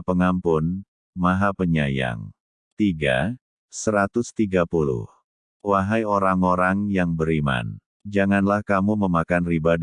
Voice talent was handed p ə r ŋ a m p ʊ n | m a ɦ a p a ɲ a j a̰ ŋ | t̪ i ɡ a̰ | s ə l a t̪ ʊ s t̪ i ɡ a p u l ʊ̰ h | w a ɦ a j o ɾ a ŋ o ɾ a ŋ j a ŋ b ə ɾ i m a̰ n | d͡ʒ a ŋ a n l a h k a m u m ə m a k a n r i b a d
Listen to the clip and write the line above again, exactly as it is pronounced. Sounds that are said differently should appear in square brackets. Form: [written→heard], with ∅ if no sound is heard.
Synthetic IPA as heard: p ə [r→∅] ŋ a m p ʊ n | m a ɦ a p [a→ə] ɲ a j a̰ ŋ | t̪ i ɡ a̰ | s ə [l→ɾ] a t̪ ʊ s t̪ i ɡ a p u l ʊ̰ h | w a ɦ a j o ɾ a ŋ o ɾ a ŋ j a ŋ b ə ɾ i m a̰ n | d͡ʒ a ŋ a n l a h k a m u m ə m a k a n r i b a d